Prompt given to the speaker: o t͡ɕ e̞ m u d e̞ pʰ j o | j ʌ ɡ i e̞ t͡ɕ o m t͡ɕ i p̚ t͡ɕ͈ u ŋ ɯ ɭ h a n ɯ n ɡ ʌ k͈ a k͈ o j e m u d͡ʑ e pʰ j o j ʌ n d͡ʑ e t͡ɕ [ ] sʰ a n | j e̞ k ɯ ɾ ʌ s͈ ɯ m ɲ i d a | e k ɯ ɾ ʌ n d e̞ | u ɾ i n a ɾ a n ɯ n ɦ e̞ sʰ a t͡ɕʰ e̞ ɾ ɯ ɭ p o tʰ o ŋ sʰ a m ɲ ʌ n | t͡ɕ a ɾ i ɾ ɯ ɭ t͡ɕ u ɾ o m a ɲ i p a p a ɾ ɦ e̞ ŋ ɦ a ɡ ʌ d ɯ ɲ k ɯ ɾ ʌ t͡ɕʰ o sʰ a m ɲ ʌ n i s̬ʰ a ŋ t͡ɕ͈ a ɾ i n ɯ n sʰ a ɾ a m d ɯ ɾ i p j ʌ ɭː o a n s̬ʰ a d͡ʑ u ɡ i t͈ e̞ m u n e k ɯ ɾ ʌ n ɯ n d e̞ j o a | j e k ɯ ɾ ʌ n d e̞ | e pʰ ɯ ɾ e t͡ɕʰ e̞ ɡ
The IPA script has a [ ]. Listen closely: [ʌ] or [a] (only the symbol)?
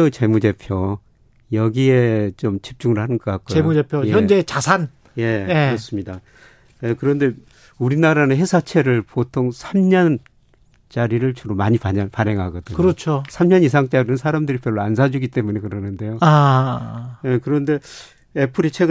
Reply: a